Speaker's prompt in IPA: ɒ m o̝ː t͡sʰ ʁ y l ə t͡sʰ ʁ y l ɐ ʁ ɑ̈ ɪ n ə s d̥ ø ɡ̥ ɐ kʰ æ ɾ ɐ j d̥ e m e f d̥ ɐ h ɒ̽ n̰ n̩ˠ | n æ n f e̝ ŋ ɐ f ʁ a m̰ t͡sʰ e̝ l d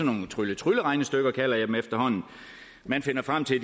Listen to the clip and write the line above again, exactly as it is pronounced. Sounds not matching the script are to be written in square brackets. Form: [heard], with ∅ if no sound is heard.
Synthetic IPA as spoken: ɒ [n] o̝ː t͡sʰ ʁ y l ə t͡sʰ ʁ y l [ə] ʁ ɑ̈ ɪ n ə s d̥ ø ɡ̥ ɐ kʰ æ [l] ɐ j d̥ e m e f d̥ ɐ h ɒ̽ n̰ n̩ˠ | [m] æ n f e̝ [n] ɐ f ʁ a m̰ t͡sʰ e̝ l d